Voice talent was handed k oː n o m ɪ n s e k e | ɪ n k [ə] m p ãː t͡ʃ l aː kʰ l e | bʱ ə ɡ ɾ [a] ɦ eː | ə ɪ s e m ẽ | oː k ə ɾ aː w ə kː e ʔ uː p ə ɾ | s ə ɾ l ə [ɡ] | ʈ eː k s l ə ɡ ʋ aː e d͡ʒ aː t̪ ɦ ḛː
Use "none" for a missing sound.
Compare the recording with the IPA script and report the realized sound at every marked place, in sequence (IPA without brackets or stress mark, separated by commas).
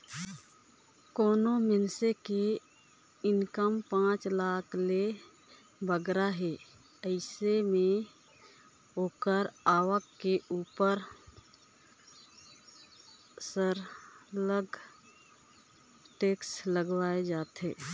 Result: ə, a, ɡ